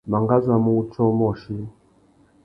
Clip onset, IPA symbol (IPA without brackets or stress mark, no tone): m